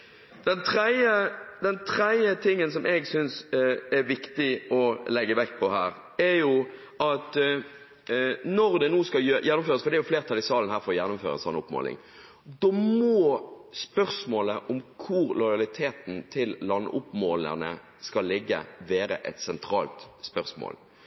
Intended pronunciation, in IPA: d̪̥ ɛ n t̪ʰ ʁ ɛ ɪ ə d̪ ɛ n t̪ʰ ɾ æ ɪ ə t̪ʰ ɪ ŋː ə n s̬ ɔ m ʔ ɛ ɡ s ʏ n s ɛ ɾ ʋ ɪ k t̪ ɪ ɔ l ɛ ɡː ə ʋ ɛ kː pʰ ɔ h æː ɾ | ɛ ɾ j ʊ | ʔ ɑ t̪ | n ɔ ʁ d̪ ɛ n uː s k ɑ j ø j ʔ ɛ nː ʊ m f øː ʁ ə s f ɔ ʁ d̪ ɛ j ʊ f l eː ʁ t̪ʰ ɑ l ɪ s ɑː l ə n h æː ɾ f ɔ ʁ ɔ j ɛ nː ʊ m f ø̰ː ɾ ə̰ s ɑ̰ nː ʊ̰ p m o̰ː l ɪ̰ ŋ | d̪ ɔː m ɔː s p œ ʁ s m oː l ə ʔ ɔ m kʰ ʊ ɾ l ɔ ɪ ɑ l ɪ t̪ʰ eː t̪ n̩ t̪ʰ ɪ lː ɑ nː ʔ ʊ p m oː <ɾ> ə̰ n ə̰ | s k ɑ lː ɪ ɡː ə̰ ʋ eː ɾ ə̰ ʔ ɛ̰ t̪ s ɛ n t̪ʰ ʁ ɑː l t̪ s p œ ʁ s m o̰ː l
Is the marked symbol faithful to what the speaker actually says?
no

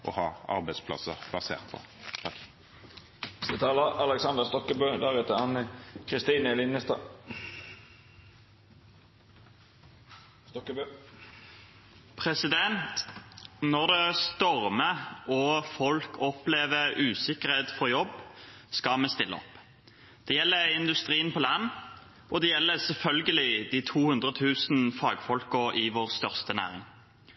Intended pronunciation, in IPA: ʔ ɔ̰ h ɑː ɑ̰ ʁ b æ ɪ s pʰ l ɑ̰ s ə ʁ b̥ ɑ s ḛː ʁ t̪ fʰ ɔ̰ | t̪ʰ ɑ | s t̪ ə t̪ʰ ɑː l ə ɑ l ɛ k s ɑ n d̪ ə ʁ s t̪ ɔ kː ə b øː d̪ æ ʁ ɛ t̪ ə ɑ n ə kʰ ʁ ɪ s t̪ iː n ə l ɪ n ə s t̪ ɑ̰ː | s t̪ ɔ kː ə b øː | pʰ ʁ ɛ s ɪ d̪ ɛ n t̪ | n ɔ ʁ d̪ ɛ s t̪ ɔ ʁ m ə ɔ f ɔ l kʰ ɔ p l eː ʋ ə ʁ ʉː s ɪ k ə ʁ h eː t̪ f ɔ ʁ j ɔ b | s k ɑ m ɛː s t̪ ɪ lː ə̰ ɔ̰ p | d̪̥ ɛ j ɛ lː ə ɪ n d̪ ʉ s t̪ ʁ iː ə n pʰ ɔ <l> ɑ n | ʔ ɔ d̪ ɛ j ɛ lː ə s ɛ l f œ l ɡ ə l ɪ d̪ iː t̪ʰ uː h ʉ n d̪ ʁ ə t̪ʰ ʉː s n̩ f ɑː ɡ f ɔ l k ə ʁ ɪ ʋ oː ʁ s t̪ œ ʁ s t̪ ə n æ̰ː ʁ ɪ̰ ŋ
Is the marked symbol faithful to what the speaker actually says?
yes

